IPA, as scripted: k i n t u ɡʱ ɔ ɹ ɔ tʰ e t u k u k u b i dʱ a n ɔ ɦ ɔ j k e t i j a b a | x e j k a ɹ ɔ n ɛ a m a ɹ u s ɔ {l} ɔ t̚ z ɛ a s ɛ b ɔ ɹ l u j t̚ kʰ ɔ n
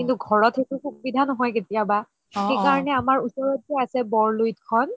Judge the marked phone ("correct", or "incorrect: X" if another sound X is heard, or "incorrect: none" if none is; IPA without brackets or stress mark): incorrect: ɹ